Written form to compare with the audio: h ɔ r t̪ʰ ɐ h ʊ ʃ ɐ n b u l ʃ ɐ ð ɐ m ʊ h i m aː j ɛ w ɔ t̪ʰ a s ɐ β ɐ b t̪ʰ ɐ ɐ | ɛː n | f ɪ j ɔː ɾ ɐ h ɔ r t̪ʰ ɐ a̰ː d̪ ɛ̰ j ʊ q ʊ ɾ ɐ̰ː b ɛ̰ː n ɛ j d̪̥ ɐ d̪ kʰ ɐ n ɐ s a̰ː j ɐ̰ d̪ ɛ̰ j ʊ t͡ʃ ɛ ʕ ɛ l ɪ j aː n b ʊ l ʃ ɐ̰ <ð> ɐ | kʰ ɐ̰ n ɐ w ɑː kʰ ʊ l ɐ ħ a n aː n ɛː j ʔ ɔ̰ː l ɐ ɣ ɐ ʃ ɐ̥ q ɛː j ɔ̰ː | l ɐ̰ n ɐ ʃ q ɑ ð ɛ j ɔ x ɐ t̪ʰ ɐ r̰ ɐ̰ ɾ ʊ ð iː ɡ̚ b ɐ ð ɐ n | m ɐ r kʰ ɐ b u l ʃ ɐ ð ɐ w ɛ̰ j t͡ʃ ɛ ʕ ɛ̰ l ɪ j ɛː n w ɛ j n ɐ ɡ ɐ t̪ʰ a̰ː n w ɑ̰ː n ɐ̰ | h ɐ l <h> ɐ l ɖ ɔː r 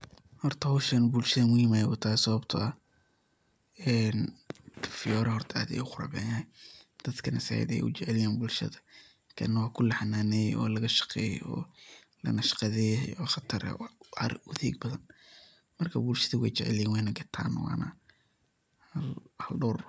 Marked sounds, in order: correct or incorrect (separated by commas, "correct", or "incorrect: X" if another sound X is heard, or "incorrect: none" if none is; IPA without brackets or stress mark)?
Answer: correct, correct